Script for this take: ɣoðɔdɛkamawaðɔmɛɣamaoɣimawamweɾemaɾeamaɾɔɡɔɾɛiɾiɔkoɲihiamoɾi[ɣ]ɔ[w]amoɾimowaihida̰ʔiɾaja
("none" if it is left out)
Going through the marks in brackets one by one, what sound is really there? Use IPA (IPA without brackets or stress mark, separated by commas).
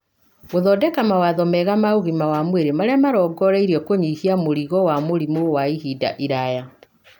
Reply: ɣ, w